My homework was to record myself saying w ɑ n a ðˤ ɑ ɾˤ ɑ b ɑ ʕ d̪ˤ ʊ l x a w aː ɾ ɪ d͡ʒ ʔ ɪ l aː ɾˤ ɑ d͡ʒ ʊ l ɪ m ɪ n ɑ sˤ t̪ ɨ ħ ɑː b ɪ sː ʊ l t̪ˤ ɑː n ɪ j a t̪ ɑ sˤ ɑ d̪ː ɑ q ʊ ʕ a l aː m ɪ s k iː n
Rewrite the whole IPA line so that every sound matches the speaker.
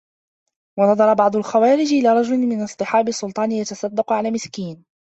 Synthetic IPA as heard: w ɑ n ɑ ðˤ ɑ ɾˤ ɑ b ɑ ʕ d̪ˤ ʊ l x a w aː ɾ ɪ d͡ʒ ʔ ɪ l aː ɾˤ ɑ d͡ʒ ʊ l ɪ m ɪ n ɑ sˤ t̪ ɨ ħ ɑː b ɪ sː ʊ l t̪ˤ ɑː n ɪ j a t̪ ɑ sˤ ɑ d̪ː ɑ q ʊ ʕ a l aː m ɪ s k iː n